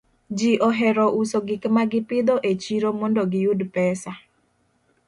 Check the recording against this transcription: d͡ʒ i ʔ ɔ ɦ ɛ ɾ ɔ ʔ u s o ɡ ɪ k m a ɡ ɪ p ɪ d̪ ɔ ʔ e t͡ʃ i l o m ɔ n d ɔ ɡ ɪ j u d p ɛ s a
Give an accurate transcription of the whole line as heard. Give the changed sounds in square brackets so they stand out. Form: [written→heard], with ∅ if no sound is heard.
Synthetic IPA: d͡ʒ i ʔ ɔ ɦ ɛ ɾ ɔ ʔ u s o ɡ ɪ k m a ɡ ɪ p ɪ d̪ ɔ ʔ e t͡ʃ i [l→ɾ] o m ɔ n d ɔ ɡ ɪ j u d p ɛ s a